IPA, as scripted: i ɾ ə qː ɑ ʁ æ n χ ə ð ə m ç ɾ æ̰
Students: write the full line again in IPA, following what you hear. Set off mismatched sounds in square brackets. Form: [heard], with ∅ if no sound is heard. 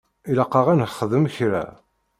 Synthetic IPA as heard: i [l] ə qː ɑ ʁ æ n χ ə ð ə m ç ɾ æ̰

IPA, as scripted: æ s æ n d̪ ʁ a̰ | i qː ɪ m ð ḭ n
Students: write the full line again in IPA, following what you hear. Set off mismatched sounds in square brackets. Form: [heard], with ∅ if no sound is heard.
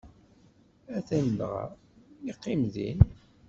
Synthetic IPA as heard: æ [θ] æ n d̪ ʁ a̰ | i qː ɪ m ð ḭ n

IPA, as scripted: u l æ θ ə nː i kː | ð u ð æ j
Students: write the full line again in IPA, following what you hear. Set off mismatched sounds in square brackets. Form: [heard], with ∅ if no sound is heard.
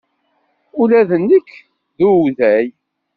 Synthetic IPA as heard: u l æ [ð] ə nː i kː | ð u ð æ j

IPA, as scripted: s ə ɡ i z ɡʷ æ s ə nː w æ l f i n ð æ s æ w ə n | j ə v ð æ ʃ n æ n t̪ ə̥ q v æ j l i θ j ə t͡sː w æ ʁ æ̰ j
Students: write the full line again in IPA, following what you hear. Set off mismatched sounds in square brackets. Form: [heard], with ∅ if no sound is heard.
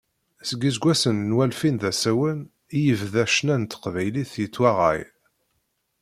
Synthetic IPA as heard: s ə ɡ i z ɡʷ æ s ə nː w æ l f i n ð æ s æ w ə n | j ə v ð æ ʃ n æ n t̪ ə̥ q v æ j l i θ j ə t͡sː w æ ʁ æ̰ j

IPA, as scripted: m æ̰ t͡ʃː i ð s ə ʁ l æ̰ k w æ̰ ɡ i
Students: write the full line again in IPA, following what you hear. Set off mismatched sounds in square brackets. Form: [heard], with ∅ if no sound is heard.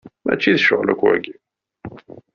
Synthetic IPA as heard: m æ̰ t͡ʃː i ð [ʃ] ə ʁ l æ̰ k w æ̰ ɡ i

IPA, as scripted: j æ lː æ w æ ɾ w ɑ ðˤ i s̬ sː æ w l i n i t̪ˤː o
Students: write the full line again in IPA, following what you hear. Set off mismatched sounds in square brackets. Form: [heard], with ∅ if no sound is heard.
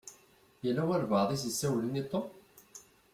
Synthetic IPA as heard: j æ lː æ w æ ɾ [v] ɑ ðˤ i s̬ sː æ w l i n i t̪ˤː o

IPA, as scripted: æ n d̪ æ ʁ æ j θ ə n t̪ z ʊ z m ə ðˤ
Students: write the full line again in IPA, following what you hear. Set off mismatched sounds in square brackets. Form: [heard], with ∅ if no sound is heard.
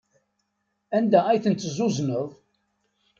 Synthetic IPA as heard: æ n d̪ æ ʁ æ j θ ə n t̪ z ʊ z [n] ə ðˤ

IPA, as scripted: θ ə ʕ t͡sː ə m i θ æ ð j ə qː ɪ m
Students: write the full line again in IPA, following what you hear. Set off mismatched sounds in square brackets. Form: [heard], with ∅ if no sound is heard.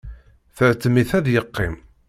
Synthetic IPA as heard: θ ə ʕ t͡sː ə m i θ æ ð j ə qː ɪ m

